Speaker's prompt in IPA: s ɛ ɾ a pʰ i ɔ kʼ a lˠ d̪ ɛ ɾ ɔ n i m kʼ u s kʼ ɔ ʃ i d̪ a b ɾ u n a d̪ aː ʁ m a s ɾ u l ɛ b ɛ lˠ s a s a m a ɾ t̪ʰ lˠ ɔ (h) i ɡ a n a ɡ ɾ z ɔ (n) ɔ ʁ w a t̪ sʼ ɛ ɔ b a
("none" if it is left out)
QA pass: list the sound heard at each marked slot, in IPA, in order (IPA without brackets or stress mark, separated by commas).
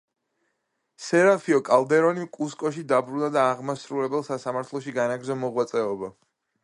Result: ʃ, m